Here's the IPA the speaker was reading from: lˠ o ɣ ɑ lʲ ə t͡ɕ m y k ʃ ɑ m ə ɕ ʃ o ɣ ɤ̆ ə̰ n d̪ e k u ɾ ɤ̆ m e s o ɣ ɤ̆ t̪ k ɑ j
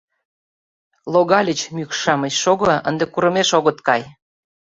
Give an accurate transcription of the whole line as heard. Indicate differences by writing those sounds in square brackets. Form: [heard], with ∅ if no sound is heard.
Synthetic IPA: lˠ o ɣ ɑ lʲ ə t͡ɕ m y k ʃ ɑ m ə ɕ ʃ o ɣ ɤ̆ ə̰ n d̪ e k u ɾ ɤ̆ m e [ʃ] o ɣ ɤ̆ t̪ k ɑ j